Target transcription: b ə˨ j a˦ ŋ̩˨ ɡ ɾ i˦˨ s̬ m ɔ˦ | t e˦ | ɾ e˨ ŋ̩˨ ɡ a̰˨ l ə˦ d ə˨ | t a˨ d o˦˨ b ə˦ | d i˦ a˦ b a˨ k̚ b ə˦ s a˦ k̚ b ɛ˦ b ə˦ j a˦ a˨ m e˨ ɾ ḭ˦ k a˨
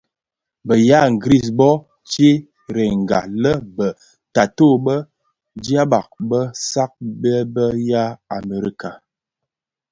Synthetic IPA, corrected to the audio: b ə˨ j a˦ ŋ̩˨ ɡ ɾ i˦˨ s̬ b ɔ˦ | t͡ʃ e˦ | ɾ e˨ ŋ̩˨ ɡ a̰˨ l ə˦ b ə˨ | t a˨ t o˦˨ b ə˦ | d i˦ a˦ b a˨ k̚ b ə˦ s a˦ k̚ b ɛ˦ b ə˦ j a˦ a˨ m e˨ ɾ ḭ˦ k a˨